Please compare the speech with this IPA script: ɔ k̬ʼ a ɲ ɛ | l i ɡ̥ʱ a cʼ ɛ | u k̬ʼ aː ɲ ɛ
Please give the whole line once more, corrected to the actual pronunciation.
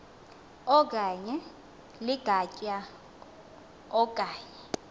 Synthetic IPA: ɔ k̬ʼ a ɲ ɛ | l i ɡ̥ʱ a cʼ a | ɔ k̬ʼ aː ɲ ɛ